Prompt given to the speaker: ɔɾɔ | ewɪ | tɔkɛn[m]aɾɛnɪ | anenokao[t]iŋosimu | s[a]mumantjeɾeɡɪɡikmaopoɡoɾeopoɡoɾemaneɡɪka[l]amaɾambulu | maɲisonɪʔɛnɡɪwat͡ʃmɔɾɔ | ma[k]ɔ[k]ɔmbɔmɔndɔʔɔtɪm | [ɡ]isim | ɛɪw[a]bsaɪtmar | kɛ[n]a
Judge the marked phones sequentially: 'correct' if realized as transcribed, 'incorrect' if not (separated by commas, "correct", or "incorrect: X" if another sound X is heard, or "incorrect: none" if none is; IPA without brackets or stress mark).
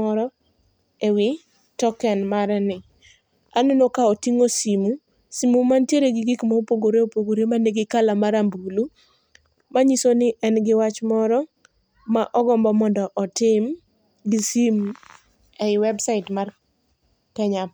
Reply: correct, correct, incorrect: i, correct, incorrect: ʔ, incorrect: ɡ, correct, incorrect: ɛ, incorrect: ɲ